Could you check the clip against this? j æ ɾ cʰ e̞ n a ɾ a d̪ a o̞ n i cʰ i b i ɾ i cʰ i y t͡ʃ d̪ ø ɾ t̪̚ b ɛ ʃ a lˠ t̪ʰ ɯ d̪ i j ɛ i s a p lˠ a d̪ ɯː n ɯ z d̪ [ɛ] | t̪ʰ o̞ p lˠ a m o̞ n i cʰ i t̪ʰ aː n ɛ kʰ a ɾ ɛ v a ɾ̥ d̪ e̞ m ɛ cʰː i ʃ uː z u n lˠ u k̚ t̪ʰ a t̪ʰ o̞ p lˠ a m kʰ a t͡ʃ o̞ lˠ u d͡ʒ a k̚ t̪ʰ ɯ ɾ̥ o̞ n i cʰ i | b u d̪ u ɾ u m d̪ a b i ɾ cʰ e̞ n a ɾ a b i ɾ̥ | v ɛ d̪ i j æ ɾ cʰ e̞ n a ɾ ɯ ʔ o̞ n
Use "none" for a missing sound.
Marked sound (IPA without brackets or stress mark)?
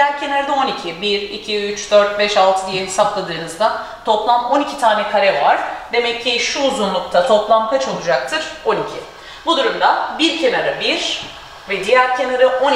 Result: a